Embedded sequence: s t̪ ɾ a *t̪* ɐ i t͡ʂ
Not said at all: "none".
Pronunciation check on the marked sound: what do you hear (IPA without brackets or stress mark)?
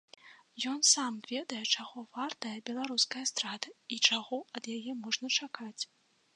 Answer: d̪